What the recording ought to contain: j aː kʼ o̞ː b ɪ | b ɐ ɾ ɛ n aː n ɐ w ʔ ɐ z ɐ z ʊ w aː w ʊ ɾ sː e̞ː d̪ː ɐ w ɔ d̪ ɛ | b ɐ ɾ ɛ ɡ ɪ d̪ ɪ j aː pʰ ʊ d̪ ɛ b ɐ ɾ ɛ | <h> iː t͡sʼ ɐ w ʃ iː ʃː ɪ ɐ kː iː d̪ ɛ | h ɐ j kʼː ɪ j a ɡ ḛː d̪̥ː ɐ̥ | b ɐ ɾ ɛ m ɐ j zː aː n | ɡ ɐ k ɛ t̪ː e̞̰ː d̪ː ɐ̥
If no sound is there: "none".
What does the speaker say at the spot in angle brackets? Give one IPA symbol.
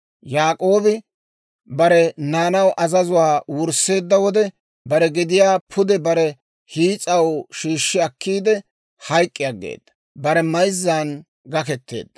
h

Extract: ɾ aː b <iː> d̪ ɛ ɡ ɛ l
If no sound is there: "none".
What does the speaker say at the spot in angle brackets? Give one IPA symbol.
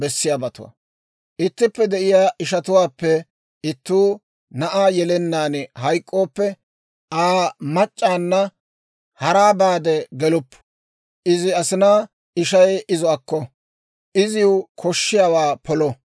aː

